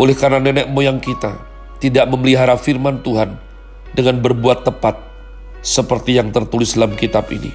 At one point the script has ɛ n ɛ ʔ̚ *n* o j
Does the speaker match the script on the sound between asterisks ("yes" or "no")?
no